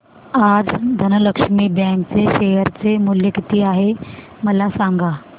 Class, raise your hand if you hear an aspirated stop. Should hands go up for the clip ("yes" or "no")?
no